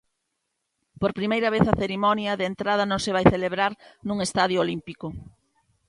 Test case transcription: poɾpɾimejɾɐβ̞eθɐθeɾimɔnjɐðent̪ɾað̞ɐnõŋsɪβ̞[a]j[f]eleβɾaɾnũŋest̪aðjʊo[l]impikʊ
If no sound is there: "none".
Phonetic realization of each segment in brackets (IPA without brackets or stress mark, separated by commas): a, θ, l